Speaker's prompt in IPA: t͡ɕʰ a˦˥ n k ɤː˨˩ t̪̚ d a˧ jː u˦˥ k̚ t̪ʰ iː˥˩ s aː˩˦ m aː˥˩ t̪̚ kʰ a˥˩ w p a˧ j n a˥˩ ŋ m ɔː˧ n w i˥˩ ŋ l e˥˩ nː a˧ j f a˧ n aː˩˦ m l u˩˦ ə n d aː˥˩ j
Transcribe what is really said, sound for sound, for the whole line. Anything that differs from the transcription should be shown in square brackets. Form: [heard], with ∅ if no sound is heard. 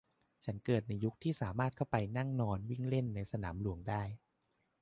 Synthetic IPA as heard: t͡ɕʰ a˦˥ n k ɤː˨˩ t̪̚ [n] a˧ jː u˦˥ k̚ t̪ʰ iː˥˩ s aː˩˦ m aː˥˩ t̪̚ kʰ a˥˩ w p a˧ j n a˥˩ ŋ [n] ɔː˧ n w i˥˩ ŋ l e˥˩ nː a˧ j [s] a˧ n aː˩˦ m l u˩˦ ə [ŋ] d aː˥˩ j